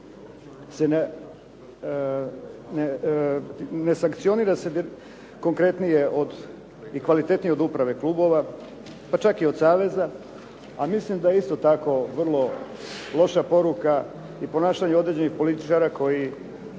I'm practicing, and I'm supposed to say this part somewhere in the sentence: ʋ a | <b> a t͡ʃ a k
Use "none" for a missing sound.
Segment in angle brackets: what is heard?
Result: p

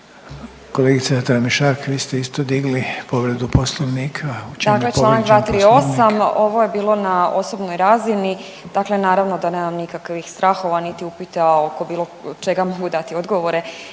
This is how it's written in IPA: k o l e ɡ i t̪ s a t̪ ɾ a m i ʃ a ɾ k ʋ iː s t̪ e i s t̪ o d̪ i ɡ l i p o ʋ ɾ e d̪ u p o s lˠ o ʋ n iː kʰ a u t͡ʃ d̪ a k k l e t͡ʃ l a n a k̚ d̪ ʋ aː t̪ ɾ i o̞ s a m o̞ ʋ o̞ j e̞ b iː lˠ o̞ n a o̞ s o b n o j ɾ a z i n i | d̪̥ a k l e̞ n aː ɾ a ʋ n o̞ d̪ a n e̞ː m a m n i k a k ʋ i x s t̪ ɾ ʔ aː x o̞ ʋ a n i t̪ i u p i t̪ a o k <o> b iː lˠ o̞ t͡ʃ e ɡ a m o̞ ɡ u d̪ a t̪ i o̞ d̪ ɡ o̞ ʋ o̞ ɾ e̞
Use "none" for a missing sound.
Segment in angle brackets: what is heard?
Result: o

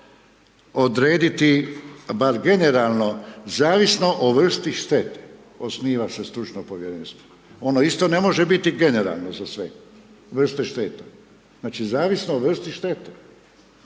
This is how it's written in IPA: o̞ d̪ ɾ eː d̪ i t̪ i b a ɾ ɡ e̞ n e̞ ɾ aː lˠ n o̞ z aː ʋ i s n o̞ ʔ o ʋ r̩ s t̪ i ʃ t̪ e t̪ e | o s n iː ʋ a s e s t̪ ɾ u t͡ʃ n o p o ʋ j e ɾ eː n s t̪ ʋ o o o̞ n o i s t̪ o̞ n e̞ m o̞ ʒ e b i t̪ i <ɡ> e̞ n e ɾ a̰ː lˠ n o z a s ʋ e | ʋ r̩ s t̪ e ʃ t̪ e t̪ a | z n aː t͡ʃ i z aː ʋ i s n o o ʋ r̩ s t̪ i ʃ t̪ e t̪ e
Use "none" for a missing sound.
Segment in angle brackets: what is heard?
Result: ɡ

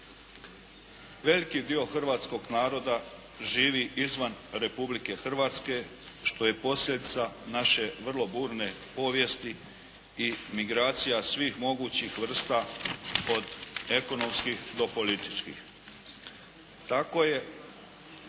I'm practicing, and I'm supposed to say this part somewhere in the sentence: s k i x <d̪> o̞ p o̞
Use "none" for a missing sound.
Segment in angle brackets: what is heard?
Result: d̪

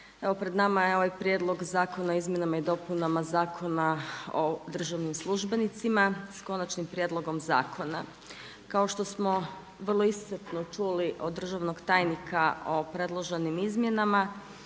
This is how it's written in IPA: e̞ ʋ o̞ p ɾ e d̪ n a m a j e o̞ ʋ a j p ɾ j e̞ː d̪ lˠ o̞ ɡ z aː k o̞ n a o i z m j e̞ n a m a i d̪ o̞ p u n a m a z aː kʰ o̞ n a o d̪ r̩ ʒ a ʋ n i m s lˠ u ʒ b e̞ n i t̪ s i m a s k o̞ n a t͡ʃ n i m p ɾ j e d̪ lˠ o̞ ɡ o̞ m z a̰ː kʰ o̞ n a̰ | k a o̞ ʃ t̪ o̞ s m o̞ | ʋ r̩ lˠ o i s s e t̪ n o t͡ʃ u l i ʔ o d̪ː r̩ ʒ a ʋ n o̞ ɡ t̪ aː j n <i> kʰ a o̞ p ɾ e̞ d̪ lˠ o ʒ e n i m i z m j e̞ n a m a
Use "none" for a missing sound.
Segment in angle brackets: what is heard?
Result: i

